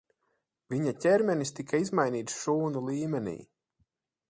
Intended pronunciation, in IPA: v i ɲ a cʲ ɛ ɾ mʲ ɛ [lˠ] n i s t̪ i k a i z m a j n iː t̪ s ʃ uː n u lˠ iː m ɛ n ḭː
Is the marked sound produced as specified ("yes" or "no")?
no